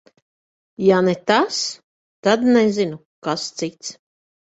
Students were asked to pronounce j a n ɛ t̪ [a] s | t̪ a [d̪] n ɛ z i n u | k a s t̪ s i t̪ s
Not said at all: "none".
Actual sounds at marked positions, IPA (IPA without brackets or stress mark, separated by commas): a, d̪